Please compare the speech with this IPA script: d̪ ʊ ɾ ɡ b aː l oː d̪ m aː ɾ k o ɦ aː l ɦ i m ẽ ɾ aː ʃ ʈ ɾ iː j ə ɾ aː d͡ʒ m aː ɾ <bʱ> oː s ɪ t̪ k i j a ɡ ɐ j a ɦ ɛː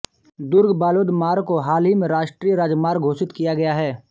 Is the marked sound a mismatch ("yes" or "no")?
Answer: yes